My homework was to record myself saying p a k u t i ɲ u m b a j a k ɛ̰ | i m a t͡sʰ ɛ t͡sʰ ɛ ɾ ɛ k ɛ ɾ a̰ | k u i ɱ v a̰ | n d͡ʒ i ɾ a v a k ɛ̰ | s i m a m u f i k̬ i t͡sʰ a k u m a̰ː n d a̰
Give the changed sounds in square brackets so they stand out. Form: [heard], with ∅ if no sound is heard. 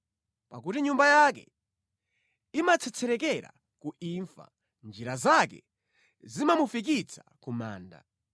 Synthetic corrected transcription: p a k u t i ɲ u m b a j a k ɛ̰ | i m a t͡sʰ ɛ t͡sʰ ɛ ɾ ɛ k ɛ ɾ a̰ | k u i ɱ [f] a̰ | n d͡ʒ i ɾ a [z] a k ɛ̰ | [z] i m a m u f i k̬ i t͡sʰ a k u m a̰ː n d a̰